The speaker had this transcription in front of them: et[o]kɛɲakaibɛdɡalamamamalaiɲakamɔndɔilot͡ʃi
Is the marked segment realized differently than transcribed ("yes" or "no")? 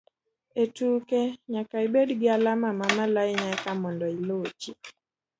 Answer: yes